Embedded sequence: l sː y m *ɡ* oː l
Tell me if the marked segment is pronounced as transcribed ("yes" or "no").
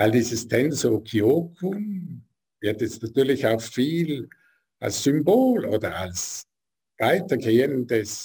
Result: no